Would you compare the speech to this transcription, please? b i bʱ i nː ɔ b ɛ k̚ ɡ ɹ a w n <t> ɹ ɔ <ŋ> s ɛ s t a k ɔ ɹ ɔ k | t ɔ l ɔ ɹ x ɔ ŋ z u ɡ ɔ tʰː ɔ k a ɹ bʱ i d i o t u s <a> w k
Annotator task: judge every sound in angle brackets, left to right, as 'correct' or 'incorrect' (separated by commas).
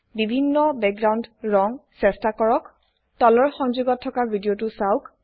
incorrect, correct, correct